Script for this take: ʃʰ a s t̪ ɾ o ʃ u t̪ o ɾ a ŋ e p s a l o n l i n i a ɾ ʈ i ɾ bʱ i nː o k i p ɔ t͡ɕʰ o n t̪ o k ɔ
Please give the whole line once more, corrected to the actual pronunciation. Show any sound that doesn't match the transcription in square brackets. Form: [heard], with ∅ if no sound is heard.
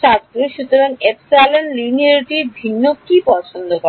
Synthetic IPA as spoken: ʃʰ a s t̪ ɾ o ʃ u t̪ o ɾ a ŋ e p s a l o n l i n i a ɾ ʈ i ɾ bʱ i nː o k i p ɔ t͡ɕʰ o n [d̪] o k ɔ